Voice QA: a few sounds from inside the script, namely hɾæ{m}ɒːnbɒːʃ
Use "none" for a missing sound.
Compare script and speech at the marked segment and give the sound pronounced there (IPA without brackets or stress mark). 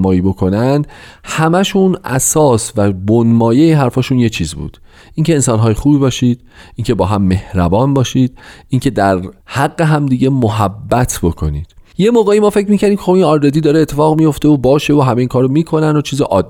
b